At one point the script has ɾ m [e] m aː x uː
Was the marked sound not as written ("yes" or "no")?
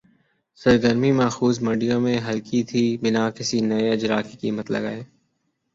yes